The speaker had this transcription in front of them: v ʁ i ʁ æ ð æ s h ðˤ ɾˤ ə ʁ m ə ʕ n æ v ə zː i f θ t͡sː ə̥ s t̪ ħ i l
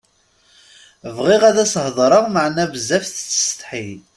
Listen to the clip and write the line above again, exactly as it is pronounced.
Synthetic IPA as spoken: v ʁ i ʁ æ ð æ s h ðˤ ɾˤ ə ʁ m ə ʕ n æ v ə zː æ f θ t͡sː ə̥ s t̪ ħ i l